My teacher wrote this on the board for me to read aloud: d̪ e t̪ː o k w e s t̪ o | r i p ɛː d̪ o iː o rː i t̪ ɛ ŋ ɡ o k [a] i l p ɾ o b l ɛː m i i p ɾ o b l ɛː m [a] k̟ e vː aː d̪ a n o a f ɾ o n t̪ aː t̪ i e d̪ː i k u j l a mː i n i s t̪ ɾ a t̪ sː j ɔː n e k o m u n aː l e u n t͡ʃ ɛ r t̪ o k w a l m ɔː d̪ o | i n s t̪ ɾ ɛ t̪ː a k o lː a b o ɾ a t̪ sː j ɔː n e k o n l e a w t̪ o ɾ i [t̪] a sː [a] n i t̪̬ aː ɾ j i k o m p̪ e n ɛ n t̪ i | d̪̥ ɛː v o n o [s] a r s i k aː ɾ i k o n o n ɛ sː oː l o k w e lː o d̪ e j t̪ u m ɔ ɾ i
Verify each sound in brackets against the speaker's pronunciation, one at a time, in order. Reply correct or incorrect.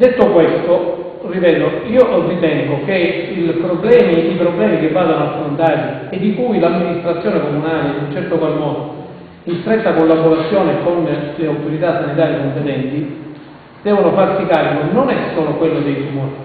incorrect: e, incorrect: i, correct, correct, incorrect: f

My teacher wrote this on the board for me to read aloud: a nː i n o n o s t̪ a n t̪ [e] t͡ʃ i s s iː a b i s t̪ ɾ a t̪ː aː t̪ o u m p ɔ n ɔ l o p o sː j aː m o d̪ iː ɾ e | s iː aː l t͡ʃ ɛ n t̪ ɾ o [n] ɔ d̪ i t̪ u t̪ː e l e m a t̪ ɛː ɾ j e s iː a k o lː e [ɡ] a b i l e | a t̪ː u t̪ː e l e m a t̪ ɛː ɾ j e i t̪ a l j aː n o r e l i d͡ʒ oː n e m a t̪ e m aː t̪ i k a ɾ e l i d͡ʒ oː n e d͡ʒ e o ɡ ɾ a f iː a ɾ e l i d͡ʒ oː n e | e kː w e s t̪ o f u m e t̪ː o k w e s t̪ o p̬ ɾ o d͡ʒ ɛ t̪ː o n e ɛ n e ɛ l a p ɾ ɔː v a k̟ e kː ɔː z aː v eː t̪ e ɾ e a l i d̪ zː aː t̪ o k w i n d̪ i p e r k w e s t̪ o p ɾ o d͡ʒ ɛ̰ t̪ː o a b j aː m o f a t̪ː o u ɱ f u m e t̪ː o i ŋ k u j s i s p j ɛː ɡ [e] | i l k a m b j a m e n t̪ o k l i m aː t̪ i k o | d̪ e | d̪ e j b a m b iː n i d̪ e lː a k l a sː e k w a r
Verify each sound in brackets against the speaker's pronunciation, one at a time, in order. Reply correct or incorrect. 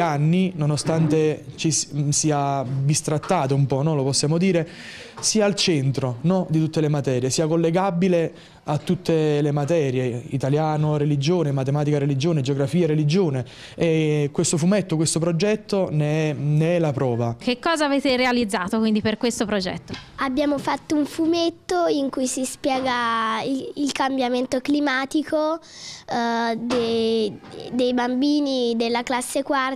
correct, correct, correct, incorrect: a

